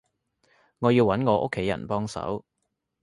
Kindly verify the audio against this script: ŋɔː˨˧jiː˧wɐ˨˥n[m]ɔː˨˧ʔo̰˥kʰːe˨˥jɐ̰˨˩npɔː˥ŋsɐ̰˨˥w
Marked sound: incorrect: ŋ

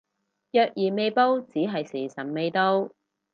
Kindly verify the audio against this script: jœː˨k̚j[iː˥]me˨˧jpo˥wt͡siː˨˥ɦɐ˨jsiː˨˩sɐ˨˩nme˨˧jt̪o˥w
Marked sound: incorrect: iː˨˩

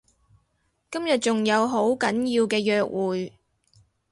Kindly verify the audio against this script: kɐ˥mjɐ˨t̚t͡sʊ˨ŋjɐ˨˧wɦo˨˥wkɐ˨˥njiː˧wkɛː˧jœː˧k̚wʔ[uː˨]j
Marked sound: correct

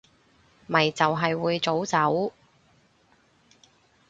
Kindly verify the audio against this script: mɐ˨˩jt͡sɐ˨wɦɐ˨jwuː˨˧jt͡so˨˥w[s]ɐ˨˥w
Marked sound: incorrect: t͡s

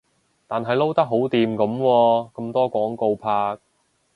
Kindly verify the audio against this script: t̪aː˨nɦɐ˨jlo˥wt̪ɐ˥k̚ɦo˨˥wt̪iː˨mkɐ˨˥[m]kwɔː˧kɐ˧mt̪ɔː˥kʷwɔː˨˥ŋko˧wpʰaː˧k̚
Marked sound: correct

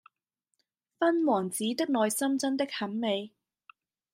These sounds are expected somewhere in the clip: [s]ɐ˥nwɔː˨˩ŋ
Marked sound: incorrect: f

